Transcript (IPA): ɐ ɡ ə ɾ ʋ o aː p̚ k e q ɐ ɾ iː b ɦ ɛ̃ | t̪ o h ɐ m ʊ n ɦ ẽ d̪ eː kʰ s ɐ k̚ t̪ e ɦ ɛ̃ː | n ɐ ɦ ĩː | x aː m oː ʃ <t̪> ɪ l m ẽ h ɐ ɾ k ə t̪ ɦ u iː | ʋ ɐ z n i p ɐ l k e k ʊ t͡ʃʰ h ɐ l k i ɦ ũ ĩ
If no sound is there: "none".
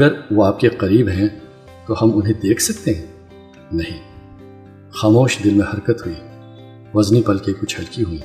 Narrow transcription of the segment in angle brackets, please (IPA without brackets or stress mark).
d̪